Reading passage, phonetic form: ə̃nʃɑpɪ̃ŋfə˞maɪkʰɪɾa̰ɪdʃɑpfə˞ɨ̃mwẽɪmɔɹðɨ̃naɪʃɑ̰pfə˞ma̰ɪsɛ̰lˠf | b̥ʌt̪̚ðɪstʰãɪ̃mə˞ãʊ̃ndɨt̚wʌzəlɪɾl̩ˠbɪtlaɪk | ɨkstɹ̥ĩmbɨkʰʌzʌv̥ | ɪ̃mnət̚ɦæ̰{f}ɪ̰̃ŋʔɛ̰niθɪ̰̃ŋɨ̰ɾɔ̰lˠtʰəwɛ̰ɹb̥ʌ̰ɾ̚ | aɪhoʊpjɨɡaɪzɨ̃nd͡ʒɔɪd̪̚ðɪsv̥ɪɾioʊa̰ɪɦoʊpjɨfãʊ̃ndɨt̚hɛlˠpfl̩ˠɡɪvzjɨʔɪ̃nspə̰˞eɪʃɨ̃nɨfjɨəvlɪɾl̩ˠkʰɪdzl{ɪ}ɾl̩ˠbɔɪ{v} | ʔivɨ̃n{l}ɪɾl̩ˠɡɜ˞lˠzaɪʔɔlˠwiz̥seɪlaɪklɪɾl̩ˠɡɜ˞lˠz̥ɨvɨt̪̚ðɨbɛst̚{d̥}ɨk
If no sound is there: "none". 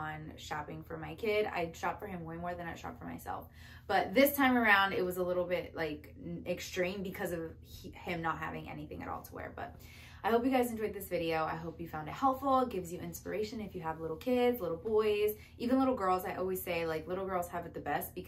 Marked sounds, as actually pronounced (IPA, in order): v, ɪ, z, l, b̥

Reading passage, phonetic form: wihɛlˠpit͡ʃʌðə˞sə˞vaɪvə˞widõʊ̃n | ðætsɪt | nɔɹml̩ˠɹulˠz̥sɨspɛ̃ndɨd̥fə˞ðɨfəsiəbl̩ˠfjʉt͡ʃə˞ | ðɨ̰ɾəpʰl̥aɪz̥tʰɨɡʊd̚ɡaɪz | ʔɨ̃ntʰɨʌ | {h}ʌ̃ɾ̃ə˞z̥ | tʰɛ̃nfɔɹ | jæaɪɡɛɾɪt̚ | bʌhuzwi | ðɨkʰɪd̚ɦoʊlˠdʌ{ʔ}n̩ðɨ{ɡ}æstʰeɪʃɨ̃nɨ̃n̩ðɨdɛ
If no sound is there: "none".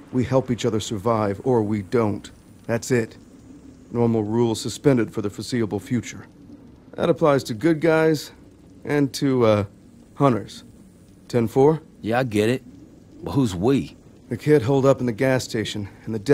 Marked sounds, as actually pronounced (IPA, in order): h, p, ɡ

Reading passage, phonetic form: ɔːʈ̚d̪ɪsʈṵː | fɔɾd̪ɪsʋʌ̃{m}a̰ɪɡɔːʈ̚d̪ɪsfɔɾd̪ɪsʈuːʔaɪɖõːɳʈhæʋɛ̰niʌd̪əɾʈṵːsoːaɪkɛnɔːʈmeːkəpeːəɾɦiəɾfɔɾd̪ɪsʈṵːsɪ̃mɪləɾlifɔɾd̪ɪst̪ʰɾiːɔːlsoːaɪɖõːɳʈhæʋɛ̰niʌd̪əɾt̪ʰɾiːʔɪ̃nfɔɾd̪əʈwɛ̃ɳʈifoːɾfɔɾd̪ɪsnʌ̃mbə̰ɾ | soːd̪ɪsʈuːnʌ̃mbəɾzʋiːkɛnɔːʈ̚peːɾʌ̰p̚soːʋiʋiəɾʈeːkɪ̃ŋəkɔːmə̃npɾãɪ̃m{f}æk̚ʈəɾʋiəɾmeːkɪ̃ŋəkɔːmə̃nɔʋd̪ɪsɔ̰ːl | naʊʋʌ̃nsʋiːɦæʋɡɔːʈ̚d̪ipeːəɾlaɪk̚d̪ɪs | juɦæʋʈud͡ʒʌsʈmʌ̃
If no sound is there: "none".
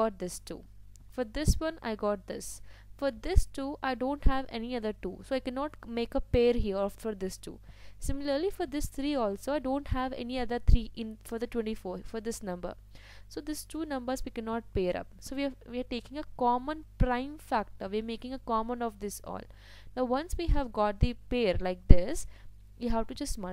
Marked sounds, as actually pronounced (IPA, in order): n, f

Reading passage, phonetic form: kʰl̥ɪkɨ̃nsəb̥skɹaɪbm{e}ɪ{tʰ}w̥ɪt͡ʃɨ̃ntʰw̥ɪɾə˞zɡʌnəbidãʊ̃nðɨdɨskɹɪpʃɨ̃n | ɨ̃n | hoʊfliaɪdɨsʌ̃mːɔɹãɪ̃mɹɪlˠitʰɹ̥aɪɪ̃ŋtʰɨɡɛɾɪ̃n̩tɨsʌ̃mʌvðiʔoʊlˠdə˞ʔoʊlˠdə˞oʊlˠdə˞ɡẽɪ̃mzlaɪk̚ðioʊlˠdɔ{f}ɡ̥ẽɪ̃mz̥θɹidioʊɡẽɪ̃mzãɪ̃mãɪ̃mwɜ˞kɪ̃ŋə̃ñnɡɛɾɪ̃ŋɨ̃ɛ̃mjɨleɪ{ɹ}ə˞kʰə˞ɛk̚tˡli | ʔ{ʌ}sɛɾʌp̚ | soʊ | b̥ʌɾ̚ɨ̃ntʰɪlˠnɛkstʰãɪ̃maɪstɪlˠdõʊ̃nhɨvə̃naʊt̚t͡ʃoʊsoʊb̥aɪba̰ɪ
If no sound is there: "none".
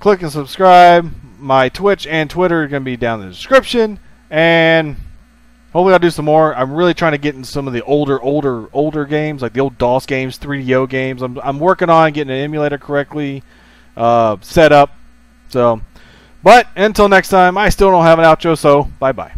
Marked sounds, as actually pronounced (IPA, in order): a, tʰ, s, ɾ, ʌ

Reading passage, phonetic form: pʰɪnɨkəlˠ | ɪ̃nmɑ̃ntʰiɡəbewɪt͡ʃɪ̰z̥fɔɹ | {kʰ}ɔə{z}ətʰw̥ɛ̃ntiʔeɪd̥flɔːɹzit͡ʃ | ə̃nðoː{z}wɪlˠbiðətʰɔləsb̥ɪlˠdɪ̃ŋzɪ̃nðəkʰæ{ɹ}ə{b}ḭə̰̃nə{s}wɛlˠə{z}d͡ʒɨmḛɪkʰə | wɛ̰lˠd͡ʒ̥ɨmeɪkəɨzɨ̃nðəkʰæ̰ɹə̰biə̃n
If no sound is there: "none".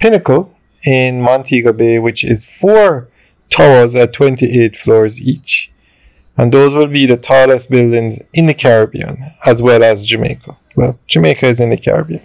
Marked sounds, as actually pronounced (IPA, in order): tʰ, z, z, ɹ, b, z, z

